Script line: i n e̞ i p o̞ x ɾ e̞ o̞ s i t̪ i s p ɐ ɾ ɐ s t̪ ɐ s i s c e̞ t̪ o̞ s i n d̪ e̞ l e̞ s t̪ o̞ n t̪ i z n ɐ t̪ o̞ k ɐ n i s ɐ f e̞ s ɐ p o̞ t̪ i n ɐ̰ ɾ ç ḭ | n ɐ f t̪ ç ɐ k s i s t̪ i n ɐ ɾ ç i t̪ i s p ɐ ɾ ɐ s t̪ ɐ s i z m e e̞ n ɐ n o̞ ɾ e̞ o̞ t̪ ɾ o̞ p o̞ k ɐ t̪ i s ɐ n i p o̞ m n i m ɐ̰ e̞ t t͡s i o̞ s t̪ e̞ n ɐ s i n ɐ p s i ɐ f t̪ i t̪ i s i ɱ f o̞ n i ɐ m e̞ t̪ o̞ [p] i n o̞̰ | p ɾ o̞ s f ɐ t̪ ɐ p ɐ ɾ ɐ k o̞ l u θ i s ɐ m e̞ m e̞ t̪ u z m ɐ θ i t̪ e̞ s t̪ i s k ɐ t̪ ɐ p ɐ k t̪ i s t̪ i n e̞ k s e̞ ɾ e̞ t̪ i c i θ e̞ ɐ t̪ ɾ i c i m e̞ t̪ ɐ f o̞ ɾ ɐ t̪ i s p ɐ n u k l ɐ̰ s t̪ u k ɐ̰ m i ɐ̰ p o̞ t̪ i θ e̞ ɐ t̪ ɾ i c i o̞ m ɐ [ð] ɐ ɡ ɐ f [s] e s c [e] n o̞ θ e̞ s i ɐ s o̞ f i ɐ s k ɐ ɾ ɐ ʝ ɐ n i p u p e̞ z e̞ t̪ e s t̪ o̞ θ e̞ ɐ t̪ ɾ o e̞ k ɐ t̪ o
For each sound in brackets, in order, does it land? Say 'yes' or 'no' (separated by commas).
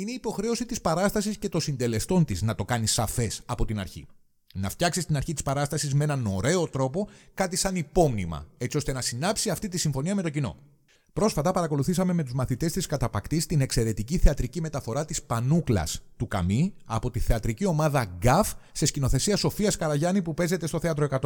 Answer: no, yes, yes, no